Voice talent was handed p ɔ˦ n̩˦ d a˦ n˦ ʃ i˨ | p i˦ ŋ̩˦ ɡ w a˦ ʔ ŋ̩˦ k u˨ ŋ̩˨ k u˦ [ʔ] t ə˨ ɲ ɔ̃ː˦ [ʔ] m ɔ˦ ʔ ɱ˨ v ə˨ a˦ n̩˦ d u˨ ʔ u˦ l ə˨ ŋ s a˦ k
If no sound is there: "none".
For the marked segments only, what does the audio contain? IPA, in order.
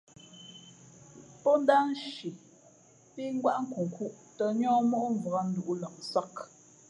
ʔ, none

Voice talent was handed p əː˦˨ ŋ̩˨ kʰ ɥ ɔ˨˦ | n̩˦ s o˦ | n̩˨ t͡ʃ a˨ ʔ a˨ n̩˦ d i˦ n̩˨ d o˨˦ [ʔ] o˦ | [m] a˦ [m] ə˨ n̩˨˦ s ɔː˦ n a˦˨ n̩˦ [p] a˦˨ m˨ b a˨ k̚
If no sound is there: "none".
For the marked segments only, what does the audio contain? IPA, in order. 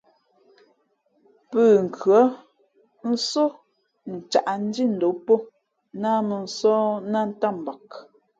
p, n, m, t

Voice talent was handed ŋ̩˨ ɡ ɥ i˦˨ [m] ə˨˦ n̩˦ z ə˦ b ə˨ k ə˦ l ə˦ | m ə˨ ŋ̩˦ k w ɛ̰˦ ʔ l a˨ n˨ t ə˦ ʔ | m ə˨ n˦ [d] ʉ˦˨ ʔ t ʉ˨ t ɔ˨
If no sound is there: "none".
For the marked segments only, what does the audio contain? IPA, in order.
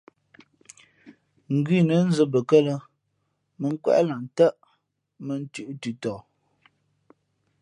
n, t

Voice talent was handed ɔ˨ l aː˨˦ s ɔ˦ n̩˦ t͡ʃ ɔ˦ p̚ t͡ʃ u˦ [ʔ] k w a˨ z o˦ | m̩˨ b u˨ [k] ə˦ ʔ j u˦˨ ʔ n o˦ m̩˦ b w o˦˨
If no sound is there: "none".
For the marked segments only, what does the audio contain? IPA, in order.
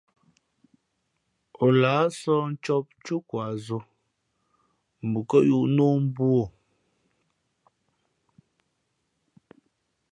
none, k

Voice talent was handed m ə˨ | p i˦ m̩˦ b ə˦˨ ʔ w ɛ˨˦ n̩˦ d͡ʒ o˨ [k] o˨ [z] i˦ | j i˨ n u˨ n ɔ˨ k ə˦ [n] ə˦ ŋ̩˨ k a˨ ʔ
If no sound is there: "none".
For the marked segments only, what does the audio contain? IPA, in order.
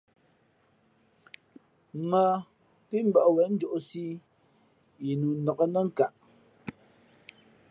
ʔ, s, n

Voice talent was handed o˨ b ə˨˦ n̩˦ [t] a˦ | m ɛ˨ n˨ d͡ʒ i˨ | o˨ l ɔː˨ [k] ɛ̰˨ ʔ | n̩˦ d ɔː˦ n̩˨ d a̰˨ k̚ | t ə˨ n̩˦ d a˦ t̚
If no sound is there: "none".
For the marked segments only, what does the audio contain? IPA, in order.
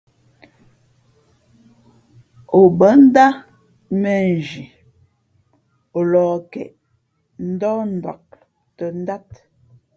d, k

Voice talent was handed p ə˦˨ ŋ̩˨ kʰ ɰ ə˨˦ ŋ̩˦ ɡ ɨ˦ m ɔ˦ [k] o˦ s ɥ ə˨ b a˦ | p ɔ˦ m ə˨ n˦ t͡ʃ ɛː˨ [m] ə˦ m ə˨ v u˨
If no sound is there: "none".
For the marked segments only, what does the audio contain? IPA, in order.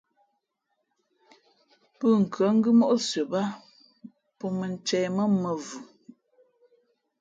ʔ, m

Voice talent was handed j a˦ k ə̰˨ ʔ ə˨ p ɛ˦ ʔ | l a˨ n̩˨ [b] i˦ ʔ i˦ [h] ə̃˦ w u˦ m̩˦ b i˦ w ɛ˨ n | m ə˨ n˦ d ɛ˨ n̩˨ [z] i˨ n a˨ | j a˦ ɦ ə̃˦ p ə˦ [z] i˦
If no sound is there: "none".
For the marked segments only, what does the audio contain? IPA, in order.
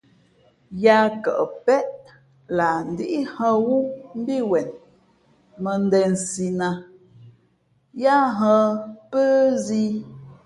d, h, s, z

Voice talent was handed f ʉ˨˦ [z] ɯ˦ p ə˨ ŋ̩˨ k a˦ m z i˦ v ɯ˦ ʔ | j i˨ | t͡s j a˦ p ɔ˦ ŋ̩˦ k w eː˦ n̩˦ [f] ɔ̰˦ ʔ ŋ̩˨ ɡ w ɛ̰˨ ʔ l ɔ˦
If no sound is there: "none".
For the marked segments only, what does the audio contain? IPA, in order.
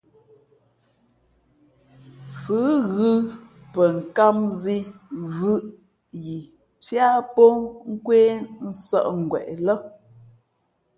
ɣ, s

